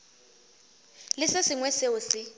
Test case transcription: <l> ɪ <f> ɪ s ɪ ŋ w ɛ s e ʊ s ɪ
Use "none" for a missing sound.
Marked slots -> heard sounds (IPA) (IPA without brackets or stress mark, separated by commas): l, s